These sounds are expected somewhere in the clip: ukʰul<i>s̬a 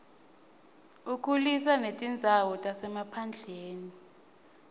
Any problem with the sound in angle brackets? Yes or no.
no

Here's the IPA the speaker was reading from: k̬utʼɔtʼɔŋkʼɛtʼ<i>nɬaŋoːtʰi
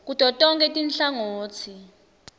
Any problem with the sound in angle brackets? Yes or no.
no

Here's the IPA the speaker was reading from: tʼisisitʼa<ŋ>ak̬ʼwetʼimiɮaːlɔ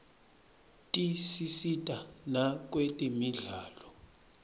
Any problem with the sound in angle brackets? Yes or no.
yes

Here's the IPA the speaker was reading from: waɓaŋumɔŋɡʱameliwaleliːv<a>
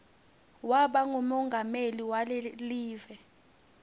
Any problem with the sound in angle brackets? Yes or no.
yes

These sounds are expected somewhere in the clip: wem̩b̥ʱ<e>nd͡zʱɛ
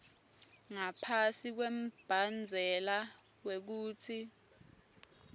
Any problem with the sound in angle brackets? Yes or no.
yes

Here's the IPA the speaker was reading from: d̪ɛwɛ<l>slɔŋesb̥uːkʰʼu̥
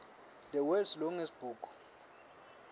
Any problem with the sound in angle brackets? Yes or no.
no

